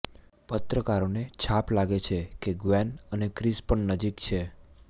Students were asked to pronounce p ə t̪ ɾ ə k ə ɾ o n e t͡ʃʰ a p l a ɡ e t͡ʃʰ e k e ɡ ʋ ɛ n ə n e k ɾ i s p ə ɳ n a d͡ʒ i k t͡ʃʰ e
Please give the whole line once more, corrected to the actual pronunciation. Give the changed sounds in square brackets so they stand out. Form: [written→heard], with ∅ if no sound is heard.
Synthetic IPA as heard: p ə t̪ ɾ ə k [ə→a] ɾ o n e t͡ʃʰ a p l a ɡ e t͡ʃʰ e k e ɡ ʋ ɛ n ə n e k ɾ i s p ə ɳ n [a→ə] d͡ʒ i k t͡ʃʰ e